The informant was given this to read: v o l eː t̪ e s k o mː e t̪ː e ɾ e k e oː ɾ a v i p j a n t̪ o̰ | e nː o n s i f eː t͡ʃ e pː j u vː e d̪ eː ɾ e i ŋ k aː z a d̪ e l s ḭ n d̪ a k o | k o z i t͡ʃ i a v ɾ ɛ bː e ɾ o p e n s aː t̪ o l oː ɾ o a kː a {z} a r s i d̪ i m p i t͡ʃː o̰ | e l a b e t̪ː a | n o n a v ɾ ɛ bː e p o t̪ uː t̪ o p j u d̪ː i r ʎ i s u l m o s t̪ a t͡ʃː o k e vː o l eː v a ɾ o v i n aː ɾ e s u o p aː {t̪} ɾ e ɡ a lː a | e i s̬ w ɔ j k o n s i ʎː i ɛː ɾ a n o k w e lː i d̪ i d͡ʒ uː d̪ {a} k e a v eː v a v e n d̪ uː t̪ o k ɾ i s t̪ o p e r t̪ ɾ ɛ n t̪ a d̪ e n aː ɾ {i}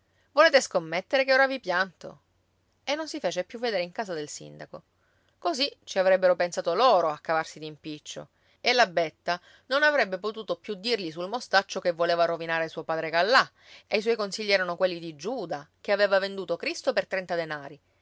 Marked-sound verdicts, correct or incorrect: incorrect, incorrect, correct, correct

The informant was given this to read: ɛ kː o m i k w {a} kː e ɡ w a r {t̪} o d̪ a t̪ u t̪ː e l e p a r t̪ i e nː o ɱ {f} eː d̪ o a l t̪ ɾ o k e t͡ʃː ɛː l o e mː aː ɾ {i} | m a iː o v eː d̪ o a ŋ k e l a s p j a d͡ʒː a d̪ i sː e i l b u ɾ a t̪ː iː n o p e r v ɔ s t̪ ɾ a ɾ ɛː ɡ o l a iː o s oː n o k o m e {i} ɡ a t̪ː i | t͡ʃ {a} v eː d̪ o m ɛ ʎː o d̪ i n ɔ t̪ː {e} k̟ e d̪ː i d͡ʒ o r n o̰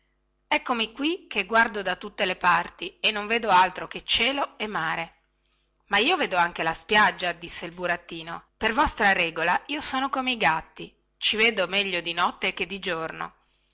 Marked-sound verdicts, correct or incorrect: incorrect, incorrect, incorrect, incorrect, correct, incorrect, correct

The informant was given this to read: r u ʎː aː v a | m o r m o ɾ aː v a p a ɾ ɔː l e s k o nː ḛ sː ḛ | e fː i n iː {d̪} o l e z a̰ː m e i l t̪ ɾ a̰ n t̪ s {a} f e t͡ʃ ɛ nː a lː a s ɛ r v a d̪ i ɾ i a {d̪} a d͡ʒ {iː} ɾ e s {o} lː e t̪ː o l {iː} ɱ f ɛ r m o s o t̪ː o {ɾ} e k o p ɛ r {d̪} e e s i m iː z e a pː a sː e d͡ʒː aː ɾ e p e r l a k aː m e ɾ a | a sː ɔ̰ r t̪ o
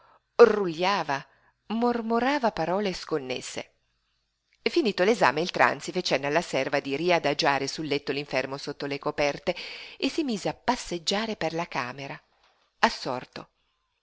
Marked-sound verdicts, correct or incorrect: incorrect, incorrect, correct, incorrect, incorrect, incorrect, incorrect, incorrect

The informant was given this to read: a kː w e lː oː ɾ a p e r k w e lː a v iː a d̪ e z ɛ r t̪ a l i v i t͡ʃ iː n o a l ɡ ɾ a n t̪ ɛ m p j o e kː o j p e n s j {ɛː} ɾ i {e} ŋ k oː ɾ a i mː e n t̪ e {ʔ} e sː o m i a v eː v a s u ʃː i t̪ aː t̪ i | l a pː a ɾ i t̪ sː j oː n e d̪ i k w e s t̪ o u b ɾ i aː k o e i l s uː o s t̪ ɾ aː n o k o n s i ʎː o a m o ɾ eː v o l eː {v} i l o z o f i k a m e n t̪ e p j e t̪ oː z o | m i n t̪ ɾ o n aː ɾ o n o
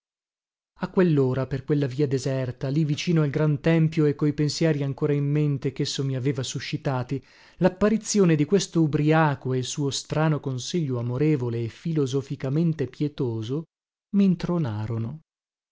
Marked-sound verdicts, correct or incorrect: correct, incorrect, incorrect, incorrect

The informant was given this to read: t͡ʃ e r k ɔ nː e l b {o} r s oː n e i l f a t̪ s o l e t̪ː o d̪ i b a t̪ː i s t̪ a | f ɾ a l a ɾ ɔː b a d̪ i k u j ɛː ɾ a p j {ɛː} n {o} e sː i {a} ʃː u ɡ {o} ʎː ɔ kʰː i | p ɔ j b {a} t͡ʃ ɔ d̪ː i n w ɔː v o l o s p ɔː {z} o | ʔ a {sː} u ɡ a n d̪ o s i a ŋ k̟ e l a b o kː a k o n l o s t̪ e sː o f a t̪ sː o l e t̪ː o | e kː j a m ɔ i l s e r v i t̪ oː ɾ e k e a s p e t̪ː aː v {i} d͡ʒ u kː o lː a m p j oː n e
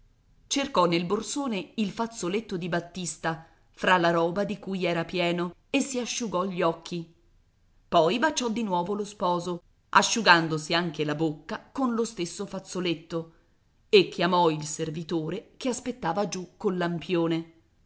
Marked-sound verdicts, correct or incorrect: correct, correct, correct, correct, incorrect, correct, correct, incorrect, incorrect

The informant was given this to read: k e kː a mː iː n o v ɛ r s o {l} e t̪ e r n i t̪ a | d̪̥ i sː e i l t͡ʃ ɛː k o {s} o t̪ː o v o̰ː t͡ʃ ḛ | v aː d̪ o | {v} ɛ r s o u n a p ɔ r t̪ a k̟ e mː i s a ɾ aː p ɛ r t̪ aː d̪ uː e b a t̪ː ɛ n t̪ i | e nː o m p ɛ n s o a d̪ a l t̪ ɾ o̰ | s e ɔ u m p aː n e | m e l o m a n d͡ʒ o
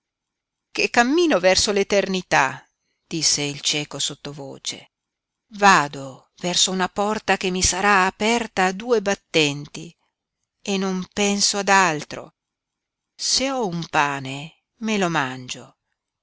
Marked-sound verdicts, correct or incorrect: correct, correct, correct

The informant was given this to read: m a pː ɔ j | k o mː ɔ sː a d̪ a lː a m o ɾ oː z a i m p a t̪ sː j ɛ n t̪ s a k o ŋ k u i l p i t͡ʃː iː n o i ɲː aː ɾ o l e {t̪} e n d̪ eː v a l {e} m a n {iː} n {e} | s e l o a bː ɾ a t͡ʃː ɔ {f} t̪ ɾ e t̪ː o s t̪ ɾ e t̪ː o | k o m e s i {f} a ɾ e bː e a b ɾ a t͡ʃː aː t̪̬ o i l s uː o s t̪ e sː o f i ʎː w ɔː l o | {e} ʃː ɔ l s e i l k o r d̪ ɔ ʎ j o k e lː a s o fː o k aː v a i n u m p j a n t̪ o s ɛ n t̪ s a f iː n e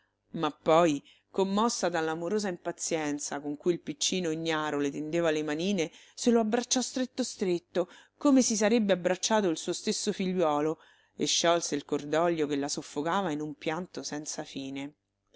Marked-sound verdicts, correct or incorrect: correct, correct, correct, correct, incorrect, incorrect, correct

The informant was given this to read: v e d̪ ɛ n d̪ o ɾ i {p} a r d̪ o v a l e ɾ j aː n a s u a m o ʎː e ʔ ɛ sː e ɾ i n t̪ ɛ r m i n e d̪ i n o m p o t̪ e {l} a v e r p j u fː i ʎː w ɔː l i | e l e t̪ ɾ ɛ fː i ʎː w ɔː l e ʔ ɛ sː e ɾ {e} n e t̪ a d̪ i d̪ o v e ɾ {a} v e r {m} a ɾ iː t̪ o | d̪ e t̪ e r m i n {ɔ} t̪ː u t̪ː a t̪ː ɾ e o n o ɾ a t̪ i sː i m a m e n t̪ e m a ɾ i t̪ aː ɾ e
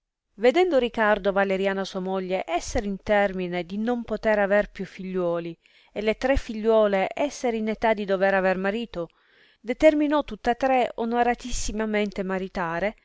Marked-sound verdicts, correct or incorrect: incorrect, incorrect, incorrect, correct, correct, correct

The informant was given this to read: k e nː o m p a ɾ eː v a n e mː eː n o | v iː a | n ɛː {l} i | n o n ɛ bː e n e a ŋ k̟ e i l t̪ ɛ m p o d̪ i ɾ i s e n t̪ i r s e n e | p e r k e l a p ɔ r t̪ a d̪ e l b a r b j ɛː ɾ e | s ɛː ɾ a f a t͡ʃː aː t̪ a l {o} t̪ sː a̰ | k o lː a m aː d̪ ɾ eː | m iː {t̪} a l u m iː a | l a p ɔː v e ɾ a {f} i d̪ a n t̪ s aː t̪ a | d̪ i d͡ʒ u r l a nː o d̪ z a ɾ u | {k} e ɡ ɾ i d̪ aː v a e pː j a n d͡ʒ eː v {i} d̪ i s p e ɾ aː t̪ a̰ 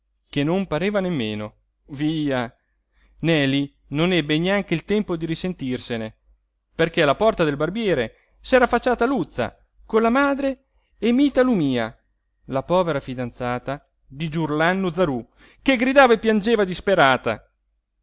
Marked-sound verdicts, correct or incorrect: correct, incorrect, correct, correct, correct, incorrect

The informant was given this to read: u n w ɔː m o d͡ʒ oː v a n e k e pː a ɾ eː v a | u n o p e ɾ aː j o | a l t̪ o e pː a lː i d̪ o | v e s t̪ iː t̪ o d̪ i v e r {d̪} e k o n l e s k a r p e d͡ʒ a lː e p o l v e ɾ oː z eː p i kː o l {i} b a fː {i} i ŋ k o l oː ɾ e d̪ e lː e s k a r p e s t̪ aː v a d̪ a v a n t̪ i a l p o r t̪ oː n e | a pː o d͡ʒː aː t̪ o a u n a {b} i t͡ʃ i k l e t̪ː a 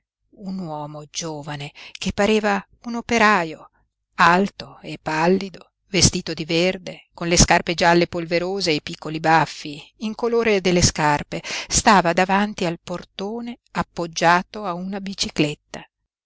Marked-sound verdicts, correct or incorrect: correct, correct, correct, correct

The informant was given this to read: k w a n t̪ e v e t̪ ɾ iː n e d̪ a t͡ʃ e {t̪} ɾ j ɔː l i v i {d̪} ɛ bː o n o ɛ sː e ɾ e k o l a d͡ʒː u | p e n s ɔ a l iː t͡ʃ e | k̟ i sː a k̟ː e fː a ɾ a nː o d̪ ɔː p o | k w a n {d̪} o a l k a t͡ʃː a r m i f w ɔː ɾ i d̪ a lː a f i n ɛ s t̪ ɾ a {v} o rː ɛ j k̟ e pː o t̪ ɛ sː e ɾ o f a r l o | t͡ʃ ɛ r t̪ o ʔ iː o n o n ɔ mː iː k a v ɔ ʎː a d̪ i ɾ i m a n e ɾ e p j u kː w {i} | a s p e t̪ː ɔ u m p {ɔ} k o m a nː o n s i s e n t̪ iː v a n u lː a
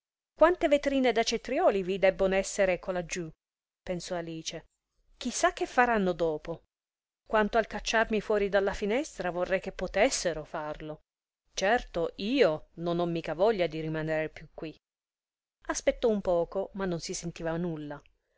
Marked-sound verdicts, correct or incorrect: correct, correct, incorrect, correct, correct, incorrect

